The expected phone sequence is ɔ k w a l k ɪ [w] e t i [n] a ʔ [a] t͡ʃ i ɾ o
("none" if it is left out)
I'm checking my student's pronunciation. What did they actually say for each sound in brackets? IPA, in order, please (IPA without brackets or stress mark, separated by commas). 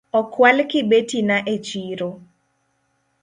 b, n, e